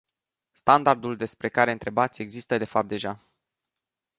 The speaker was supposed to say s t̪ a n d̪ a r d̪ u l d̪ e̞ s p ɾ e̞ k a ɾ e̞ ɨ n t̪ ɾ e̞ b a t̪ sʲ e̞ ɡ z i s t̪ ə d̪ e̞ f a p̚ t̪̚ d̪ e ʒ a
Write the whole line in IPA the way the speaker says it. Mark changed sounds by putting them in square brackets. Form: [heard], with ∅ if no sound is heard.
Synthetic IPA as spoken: s t̪ a n d̪ a r d̪ u l d̪ e̞ s p ɾ e̞ k a ɾ e̞ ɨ n t̪ ɾ e̞ b a t̪ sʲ e̞ ɡ z i s t̪ ə d̪ e̞ f a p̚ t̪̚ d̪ e ʒ a

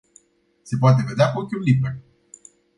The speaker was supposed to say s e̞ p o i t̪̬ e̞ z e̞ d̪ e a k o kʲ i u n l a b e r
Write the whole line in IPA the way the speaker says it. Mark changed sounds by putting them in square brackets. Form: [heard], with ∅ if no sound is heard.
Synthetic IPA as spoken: s e̞ p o [a] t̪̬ e̞ [v] e̞ d̪ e a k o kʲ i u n l [i] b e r

